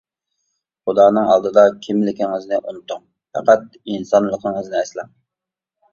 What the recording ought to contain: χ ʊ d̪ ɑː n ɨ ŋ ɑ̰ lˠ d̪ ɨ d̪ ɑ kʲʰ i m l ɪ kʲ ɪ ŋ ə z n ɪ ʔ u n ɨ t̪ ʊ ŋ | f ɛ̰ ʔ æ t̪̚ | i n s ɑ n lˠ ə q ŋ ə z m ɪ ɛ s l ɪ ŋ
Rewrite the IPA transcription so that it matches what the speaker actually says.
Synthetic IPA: χ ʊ d̪ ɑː n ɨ ŋ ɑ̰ lˠ d̪ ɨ d̪ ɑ kʲʰ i m l ɪ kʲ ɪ ŋ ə z n ɪ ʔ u n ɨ t̪ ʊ ŋ | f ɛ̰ q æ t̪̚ | i n s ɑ n lˠ ə q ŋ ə z n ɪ ɛ s l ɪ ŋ